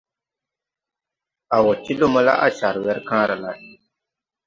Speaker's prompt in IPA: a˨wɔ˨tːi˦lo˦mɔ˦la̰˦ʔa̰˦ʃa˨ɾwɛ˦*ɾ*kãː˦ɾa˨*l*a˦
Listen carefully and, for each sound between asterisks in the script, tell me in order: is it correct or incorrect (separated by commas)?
correct, correct